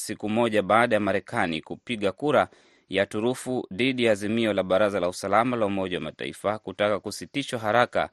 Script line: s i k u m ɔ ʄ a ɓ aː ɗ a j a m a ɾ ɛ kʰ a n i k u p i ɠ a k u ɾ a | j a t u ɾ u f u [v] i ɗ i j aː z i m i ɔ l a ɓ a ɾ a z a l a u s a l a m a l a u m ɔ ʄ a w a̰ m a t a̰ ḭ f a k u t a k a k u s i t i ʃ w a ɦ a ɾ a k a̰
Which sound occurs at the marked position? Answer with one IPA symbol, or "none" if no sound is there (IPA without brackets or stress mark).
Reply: ð